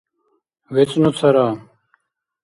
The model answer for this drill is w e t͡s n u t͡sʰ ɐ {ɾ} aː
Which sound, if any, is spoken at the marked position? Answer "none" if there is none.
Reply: ɾ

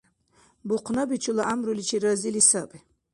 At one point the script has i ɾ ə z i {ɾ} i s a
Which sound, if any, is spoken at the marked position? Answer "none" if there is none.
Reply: l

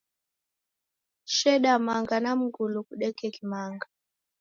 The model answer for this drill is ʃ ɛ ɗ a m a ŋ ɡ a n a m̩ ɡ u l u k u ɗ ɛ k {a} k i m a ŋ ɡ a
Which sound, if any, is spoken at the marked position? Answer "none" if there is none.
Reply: ɛ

